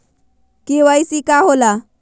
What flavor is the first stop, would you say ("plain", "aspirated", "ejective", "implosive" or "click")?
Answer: plain